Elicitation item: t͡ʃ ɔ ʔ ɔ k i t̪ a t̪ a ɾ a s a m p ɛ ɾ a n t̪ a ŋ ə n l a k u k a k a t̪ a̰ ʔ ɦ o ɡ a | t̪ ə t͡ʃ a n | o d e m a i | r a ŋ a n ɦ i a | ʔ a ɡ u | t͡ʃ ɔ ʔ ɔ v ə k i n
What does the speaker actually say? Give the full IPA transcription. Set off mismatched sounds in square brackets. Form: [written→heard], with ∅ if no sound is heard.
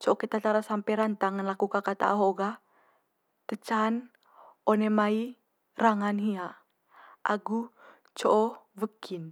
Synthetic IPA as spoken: t͡ʃ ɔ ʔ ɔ k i t̪ a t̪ a ɾ a s a m p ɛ ɾ a n t̪ a ŋ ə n l a k u k a k a t̪ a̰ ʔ ɦ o ɡ a | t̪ ə t͡ʃ a n | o [d→n] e m a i | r a ŋ a n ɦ i a | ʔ a ɡ u | t͡ʃ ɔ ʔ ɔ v ə k i n